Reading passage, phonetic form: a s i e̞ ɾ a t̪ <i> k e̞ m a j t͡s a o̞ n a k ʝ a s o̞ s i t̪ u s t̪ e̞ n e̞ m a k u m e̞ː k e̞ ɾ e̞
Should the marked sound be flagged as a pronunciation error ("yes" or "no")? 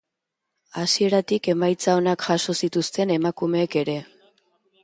no